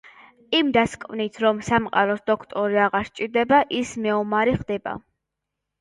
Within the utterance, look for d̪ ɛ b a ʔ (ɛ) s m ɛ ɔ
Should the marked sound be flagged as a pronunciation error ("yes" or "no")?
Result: yes